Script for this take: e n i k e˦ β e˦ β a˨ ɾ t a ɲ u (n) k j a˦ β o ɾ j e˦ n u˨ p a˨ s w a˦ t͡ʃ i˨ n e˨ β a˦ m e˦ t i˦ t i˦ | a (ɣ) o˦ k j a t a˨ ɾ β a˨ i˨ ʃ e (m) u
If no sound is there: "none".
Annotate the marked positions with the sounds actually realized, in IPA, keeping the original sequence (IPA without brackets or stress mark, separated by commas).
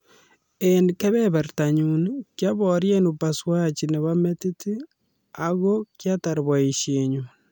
n, ɣ, ɲ